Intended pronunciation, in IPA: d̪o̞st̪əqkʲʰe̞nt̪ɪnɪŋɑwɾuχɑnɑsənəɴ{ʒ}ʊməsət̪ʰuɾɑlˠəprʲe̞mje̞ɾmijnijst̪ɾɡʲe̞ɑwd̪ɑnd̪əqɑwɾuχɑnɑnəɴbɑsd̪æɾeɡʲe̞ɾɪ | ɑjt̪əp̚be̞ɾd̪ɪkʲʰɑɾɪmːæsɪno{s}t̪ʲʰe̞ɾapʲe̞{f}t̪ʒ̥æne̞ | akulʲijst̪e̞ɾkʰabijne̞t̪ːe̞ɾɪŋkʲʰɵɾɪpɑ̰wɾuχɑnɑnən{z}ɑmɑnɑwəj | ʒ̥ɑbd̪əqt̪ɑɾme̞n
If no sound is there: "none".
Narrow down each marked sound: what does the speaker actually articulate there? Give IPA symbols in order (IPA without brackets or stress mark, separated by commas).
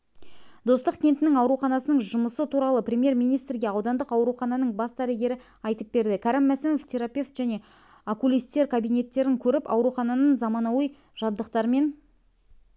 ʒ, f, f, z